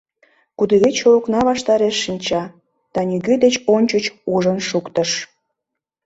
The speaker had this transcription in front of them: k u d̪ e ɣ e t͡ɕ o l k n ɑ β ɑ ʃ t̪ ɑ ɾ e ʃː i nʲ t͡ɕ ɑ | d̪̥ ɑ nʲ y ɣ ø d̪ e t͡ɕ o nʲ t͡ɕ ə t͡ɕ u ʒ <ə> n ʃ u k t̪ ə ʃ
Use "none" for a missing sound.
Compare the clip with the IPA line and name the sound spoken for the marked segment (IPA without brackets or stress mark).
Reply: ə